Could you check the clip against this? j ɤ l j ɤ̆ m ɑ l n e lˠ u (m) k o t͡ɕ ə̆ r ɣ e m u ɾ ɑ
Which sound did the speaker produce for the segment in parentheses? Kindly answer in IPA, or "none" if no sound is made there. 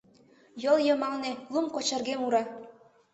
m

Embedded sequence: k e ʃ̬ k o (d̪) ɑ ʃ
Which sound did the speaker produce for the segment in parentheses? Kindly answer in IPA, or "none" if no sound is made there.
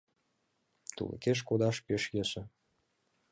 d̪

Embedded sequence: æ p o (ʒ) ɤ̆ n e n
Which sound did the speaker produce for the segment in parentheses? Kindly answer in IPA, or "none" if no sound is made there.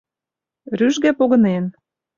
ɣ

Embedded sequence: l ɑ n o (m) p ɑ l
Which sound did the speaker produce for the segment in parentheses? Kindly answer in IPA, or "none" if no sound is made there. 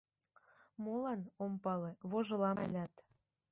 m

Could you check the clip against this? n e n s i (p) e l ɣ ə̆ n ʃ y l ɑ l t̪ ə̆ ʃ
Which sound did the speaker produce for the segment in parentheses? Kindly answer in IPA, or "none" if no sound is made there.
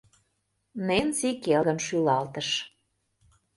k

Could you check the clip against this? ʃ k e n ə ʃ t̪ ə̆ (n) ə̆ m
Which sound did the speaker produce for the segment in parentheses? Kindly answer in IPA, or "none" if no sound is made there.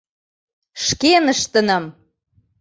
n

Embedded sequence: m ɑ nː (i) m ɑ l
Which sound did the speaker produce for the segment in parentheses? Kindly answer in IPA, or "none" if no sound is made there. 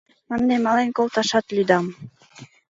e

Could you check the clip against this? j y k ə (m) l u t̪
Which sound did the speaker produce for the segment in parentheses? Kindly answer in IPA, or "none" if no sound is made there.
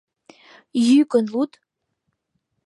n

